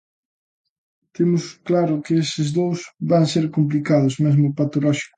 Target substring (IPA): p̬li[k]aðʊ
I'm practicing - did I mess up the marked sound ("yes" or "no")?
no